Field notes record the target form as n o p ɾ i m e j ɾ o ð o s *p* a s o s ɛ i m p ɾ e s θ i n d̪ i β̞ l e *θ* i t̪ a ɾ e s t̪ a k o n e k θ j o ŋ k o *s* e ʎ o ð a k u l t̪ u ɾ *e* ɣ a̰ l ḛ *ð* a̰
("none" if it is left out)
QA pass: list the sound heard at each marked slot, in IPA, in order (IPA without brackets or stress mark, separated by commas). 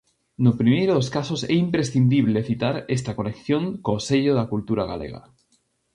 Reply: k, θ, s, a, ɣ